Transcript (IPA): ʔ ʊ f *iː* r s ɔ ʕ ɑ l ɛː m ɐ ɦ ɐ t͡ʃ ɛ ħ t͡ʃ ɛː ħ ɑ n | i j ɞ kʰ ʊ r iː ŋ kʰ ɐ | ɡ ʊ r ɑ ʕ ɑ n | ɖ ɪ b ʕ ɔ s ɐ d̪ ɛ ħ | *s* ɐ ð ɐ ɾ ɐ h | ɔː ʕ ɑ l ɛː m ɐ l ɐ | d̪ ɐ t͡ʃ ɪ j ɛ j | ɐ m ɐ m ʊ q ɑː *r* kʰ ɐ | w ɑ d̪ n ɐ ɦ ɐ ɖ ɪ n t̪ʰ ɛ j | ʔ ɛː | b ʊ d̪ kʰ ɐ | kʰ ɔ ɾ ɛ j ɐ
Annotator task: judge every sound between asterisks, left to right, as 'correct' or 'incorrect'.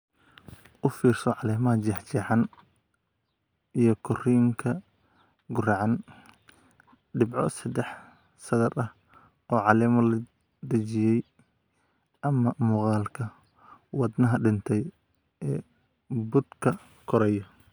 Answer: correct, correct, incorrect: l

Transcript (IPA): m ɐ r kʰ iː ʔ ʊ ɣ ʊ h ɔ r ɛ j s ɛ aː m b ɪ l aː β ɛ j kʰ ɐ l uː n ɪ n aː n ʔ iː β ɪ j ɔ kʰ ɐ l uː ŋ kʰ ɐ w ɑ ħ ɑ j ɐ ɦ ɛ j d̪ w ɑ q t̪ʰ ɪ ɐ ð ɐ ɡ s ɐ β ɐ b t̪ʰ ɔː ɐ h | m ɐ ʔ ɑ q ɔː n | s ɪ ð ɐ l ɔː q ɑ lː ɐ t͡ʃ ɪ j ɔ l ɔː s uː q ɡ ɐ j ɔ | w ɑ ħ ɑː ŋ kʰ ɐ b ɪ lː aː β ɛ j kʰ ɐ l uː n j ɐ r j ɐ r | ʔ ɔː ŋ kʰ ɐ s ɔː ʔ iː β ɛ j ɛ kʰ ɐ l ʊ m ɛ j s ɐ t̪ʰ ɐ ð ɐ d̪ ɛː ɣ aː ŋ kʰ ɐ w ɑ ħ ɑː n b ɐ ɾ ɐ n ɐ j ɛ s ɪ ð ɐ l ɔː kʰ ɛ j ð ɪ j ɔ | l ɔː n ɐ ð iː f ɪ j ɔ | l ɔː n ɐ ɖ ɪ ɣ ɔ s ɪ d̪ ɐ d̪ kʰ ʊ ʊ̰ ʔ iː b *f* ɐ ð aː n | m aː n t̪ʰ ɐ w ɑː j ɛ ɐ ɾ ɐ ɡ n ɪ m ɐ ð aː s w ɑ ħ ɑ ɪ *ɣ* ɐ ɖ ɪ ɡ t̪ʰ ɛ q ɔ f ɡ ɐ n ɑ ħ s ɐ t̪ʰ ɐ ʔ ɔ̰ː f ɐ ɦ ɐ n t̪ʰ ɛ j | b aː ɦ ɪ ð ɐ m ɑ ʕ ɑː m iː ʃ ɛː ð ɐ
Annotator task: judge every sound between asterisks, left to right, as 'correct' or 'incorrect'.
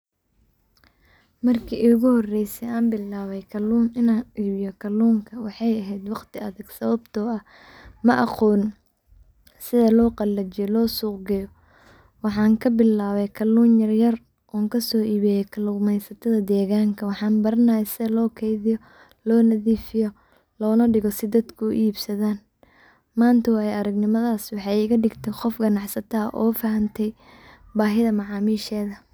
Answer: incorrect: s, correct

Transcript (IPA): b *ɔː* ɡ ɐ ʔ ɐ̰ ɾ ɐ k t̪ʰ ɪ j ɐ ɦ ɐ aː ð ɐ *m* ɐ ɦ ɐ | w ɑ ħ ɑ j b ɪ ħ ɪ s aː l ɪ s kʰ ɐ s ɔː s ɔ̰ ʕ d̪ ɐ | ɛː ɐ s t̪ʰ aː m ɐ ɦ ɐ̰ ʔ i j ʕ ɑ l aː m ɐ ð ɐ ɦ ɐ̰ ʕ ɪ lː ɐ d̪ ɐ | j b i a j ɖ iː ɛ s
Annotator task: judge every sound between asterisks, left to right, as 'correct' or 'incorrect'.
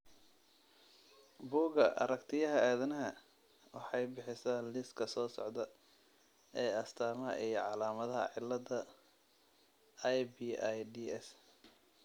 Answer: incorrect: uː, incorrect: n

